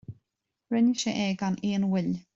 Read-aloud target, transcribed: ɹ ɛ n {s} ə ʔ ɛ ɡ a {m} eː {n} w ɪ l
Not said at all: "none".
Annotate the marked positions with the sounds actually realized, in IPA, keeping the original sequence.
ʃ, n, n

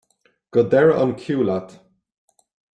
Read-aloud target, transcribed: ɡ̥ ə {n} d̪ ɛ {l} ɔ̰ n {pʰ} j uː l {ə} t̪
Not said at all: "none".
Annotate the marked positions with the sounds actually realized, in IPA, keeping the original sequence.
none, ɹ, kʰ, a

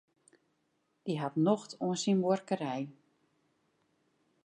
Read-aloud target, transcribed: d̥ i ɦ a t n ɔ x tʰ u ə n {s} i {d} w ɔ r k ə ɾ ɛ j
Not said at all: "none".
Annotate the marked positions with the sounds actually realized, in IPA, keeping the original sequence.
s, n

